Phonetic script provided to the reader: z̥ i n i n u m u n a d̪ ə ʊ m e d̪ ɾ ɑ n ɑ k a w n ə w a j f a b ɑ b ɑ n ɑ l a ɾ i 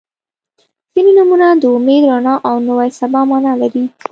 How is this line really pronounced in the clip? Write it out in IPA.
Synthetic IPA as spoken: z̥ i n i n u m u n a d̪ ə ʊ m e d̪ ɾ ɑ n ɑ ʔ a w n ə w a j s a b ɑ m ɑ n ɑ l a ɾ i